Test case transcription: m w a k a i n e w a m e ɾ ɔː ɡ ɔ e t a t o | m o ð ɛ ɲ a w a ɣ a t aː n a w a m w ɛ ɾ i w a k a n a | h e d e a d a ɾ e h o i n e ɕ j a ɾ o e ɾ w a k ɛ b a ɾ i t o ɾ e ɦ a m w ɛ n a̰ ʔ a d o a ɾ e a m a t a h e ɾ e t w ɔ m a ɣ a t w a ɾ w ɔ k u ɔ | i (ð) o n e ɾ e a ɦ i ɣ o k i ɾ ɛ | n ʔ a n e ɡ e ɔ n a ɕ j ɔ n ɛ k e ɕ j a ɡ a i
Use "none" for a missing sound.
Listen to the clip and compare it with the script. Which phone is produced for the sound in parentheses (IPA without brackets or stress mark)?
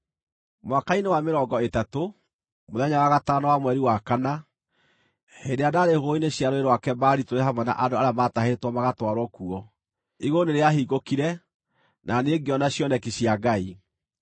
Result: ɣ